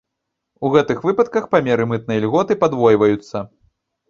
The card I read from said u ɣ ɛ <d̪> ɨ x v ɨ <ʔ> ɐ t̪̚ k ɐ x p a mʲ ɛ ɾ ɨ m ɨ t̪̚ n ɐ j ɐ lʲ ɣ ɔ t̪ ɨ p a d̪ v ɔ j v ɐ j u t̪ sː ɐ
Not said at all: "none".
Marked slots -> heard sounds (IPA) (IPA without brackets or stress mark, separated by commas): t̪, p